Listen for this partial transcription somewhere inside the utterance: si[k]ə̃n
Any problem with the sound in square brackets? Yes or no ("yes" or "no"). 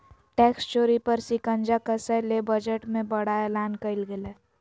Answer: no